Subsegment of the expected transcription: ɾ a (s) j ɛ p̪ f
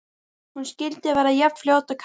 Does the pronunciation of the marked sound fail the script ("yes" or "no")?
yes